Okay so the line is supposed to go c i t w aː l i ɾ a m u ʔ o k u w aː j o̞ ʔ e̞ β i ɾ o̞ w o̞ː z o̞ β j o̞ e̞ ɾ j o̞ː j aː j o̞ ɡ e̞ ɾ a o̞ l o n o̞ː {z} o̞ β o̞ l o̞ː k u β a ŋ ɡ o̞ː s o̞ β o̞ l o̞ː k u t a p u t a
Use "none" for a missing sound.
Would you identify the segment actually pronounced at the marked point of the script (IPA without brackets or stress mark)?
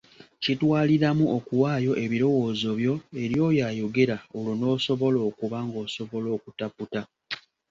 s